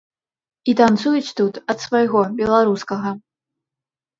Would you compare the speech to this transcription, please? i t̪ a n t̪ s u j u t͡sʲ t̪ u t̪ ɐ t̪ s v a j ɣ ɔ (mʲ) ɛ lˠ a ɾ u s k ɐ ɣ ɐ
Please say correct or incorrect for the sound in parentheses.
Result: incorrect